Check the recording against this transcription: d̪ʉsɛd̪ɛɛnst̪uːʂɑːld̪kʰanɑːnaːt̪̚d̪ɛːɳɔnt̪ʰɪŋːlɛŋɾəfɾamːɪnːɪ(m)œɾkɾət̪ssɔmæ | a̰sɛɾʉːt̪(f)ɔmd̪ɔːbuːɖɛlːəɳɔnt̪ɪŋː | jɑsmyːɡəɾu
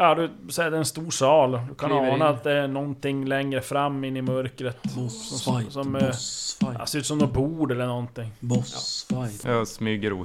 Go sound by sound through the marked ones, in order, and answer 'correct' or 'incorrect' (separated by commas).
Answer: correct, incorrect